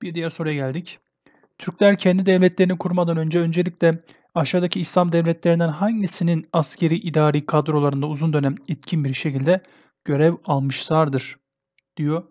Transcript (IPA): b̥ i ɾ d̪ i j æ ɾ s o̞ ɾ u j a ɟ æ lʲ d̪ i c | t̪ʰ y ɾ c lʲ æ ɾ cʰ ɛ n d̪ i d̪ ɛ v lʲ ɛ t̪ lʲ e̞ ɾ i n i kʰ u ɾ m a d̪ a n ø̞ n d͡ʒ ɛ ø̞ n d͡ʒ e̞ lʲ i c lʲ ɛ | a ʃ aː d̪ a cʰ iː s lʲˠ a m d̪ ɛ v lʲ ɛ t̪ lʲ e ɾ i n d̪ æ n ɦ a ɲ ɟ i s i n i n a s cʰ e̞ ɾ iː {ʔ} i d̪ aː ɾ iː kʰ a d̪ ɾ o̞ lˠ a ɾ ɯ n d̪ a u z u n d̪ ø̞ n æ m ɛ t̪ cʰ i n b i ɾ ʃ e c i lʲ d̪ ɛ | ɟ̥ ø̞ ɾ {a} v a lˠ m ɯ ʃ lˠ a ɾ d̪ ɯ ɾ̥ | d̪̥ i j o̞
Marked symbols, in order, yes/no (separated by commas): yes, no